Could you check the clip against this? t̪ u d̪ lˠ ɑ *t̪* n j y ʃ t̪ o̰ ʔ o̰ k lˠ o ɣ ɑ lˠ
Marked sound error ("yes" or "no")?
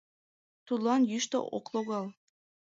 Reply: yes